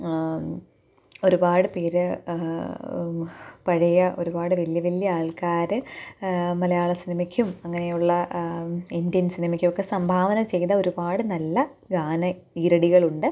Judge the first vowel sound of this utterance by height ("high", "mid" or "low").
mid